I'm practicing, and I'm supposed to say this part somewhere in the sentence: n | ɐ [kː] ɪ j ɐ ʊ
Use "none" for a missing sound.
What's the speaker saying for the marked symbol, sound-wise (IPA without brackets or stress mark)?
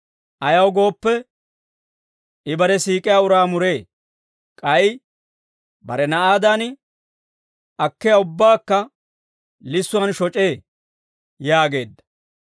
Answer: kː